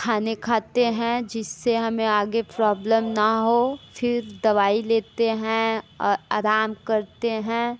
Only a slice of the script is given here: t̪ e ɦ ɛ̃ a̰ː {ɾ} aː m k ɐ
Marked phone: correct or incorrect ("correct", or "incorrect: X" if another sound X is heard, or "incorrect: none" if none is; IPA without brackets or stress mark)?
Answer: correct